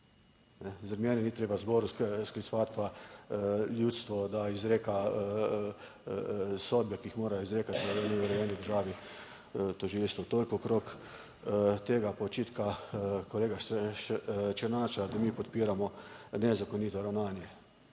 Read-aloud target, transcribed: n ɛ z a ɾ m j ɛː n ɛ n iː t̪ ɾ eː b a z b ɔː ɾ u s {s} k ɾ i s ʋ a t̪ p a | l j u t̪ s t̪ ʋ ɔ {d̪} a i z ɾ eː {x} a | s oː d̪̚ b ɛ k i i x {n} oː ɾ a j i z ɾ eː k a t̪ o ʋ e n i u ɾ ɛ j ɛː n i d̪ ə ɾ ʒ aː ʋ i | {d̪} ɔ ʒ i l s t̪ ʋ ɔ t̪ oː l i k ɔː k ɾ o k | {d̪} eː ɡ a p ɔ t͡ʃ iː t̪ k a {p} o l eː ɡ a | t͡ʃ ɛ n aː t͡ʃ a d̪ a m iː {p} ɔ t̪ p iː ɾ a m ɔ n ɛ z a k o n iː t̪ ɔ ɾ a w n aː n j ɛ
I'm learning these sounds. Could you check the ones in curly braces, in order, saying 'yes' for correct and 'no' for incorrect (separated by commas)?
yes, yes, no, no, no, no, no, yes